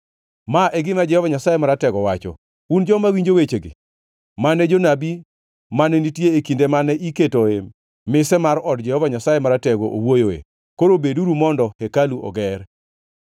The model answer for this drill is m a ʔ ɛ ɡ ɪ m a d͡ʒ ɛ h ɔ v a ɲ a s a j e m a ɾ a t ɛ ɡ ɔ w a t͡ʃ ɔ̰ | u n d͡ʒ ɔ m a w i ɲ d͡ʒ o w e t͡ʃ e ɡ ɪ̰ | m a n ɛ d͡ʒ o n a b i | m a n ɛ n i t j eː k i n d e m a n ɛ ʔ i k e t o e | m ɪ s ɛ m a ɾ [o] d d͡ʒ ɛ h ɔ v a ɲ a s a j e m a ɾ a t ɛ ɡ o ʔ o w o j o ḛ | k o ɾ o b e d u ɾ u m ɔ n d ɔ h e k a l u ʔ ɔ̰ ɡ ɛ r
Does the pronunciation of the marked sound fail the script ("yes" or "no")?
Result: yes